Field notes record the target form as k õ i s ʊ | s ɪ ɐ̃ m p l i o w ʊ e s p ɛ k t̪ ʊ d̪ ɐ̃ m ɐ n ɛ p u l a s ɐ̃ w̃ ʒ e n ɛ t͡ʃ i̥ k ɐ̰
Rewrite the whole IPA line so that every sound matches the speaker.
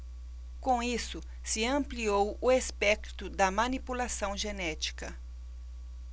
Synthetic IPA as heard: k õ i s ʊ | s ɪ ɐ̃ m p l i o w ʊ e s p ɛ k t̪ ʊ d̪ ɐ m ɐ n i p u l a s ɐ̃ w̃ ʒ e n ɛ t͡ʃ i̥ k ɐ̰